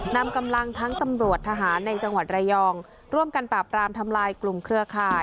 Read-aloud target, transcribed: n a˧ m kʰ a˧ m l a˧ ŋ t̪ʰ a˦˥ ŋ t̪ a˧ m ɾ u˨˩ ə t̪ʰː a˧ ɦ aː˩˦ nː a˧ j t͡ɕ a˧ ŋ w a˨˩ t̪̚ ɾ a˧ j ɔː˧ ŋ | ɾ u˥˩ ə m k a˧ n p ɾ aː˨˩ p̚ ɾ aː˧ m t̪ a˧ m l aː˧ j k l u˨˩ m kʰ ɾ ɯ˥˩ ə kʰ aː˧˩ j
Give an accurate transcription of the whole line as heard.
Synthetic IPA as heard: n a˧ m k a˧ m l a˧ ŋ t̪ʰ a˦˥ ŋ t̪ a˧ m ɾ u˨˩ ə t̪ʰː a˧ ɦ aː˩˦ nː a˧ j t͡ɕ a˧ ŋ w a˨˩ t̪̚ ɾ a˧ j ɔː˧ ŋ | ɾ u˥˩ ə m k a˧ n p ɾ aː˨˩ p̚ ɾ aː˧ m t̪ʰ a˧ m l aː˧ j k l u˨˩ m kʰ ɾ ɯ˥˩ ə kʰ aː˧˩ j